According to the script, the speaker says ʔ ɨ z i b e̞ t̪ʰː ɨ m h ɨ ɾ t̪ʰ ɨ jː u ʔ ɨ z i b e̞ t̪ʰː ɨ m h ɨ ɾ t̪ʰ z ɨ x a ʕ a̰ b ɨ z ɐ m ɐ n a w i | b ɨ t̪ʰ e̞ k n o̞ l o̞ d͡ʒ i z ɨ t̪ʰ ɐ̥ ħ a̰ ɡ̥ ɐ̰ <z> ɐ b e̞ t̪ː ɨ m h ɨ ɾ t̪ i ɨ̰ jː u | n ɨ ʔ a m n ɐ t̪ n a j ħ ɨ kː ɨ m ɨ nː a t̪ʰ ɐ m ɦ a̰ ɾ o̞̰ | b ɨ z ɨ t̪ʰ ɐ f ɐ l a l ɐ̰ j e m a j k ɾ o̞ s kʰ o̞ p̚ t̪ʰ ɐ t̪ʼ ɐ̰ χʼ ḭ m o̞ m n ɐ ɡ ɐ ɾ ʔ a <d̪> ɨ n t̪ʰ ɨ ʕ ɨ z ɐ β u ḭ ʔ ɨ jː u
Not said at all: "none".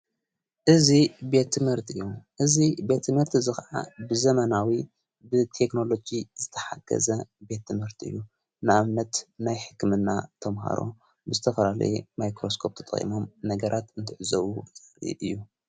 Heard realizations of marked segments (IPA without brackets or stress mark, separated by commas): z, t̪